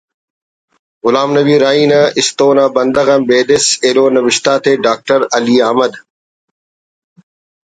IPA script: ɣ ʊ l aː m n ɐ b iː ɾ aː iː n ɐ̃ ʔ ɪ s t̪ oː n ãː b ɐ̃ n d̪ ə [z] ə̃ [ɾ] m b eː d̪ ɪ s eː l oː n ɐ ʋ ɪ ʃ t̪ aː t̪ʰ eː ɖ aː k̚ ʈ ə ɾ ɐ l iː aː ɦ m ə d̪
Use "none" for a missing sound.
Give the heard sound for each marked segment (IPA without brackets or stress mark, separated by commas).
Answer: ɣ, none